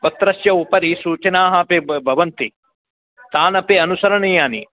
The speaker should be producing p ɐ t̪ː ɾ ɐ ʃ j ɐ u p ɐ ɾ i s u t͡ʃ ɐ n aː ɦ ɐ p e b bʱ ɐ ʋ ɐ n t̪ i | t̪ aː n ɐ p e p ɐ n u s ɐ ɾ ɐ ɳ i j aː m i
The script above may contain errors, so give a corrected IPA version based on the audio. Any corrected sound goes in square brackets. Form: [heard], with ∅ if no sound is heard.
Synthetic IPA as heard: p ɐ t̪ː ɾ ɐ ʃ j ɐ u p ɐ ɾ i s [uː] t͡ʃ ɐ n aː ɦ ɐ p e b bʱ ɐ ʋ ɐ n t̪ i | t̪ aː n ɐ p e [∅] ɐ n u s ɐ ɾ ɐ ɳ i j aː [n] i